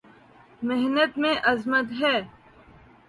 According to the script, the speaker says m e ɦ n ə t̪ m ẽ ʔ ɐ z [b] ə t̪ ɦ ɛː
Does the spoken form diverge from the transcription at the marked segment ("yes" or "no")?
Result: yes